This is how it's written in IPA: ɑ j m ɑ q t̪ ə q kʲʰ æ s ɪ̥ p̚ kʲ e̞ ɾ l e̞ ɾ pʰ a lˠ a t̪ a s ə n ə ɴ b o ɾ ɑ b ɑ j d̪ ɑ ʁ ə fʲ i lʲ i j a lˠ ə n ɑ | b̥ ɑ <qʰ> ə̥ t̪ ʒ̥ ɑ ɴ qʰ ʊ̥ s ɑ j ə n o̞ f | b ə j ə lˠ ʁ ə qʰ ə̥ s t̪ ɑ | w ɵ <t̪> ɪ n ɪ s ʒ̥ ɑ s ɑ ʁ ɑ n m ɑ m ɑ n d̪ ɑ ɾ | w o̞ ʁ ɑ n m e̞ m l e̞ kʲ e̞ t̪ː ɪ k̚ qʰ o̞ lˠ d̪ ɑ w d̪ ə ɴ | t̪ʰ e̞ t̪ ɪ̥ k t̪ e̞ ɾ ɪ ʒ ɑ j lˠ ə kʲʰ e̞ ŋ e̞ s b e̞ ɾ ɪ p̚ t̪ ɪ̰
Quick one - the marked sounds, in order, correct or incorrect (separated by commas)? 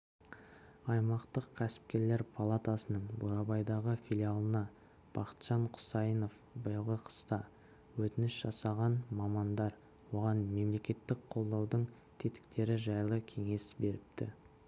incorrect, correct